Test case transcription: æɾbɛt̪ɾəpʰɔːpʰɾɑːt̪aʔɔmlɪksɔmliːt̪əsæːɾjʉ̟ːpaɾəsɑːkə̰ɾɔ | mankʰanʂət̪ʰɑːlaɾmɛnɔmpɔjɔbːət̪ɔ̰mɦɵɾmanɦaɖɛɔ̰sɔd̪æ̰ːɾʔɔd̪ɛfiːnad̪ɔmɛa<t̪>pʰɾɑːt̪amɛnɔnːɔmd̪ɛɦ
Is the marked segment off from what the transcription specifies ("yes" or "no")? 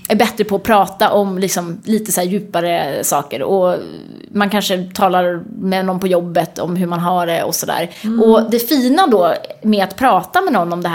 no